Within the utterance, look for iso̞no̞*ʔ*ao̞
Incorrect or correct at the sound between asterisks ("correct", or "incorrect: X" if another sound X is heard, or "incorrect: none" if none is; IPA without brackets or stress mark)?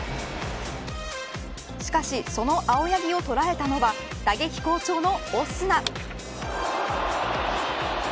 correct